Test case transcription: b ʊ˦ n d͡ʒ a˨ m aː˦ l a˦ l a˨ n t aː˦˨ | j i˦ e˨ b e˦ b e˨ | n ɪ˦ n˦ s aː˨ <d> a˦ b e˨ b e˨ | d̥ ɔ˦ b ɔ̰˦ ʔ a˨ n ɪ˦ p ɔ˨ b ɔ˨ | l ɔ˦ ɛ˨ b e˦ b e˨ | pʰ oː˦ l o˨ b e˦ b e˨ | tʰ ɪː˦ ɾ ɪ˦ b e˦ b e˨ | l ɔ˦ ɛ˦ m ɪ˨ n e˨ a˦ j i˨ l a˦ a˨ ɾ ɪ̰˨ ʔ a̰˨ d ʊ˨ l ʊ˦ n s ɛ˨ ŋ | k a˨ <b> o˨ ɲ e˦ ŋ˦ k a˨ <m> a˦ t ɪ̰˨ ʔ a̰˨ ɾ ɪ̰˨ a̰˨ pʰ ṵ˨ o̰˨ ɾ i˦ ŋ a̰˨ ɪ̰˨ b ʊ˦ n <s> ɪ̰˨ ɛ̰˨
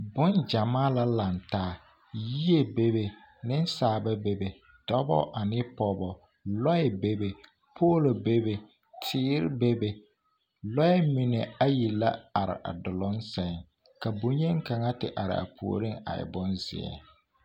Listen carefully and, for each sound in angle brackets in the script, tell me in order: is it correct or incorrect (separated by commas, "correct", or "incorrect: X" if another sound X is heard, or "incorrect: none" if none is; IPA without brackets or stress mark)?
incorrect: b, correct, incorrect: ŋ, incorrect: z